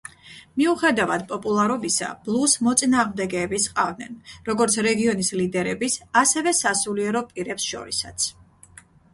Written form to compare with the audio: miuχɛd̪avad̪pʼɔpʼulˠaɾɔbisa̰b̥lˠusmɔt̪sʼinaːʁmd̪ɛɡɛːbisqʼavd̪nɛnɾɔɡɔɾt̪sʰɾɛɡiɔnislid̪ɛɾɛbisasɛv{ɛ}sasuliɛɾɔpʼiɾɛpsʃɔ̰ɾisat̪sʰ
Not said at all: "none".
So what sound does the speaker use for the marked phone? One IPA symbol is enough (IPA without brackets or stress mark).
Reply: ɛ